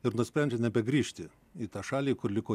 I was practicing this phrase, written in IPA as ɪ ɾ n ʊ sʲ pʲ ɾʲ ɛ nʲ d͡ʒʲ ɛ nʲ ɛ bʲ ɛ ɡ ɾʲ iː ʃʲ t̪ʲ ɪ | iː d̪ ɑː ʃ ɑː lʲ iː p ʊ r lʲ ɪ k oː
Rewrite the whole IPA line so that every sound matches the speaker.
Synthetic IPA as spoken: ɪ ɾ n ʊ sʲ pʲ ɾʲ ɛ nʲ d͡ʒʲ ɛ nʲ ɛ bʲ ɛ ɡ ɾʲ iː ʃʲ t̪ʲ ɪ | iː t̪ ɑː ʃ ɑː lʲ iː k ʊ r lʲ ɪ k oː